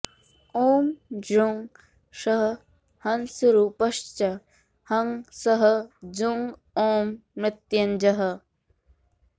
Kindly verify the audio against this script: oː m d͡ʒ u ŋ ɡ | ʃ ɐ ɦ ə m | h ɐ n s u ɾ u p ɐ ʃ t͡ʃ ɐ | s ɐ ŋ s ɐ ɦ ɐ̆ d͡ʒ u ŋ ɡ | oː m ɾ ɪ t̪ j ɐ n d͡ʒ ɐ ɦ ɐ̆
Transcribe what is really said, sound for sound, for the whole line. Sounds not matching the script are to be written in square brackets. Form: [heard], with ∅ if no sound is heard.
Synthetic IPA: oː m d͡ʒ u ŋ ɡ | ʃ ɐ ɦ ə [∅] | h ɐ n s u ɾ u p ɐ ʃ t͡ʃ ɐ | [h] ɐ ŋ s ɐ ɦ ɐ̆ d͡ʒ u ŋ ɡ | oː m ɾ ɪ t̪ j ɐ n d͡ʒ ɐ ɦ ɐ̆